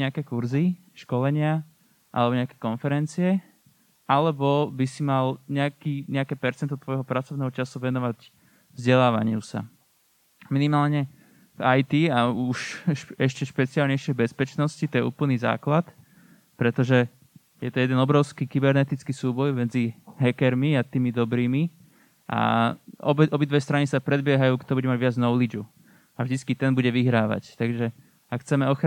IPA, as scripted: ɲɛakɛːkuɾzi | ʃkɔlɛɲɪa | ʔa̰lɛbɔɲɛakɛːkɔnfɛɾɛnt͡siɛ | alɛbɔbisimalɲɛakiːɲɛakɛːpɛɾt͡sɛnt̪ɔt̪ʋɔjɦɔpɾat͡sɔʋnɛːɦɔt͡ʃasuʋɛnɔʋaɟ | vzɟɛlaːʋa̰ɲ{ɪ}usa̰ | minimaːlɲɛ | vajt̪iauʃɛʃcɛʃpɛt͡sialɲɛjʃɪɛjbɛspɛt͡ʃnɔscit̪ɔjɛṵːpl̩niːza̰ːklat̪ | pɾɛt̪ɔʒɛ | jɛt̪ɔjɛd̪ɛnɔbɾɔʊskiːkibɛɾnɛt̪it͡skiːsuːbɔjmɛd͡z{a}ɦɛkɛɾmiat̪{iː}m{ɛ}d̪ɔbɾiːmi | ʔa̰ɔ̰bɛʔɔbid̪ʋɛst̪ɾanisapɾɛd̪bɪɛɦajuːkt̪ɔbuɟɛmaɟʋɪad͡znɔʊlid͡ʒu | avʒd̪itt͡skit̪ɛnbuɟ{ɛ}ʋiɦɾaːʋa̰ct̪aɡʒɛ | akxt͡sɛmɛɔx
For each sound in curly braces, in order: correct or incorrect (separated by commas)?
correct, incorrect, correct, incorrect, correct